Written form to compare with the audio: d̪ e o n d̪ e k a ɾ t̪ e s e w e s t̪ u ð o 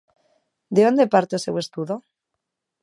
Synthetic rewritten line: d̪ e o n d̪ e p a ɾ t̪ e s e w e s t̪ u ð o